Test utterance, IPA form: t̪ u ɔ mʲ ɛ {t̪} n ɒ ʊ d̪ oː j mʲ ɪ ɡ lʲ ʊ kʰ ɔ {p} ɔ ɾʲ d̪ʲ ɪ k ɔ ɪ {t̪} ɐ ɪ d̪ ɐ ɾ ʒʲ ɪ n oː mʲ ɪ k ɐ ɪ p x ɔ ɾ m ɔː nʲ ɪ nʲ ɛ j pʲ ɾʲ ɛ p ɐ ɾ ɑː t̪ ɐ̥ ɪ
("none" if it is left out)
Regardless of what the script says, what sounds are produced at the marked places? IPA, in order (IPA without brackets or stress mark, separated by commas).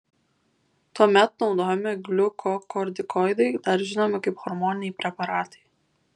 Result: t̪, k, d̪